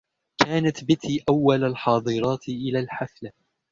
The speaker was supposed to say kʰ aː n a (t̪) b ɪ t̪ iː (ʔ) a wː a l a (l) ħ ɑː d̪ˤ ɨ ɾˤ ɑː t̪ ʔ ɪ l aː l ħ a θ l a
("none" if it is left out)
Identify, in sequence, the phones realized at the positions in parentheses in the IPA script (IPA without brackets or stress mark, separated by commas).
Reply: t̪, ʔ, l